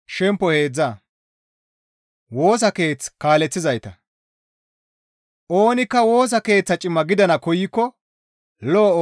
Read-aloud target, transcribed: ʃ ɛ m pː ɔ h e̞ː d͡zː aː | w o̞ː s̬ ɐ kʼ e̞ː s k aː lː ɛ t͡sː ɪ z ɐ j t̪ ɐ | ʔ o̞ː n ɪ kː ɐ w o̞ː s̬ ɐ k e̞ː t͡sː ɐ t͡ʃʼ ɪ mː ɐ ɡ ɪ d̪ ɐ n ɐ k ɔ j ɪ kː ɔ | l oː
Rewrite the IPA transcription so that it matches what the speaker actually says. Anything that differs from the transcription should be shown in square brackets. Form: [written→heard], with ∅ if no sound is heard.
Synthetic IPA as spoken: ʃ ɛ m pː ɔ h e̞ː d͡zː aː | w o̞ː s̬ ɐ [kʼ→k] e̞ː [s→t͡s] k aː [lː→l] ɛ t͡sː ɪ z ɐ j t̪ ɐ | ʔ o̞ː n ɪ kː ɐ w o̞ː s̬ ɐ k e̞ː t͡sː ɐ t͡ʃʼ ɪ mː ɐ ɡ ɪ d̪ ɐ n ɐ k ɔ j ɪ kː ɔ | l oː